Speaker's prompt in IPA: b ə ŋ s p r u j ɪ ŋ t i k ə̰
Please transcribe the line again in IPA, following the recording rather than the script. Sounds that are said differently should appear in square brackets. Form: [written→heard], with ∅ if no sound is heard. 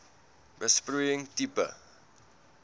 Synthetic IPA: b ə [ŋ→∅] s p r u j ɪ ŋ t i [k→p] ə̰